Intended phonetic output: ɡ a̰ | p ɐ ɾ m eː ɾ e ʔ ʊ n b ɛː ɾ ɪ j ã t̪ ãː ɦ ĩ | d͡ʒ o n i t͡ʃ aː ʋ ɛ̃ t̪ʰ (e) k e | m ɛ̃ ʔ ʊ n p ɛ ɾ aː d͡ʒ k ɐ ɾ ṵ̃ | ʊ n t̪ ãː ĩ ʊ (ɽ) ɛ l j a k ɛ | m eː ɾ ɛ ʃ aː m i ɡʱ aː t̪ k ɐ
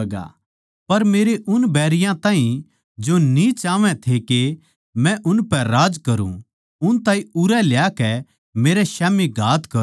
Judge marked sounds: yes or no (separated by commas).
yes, no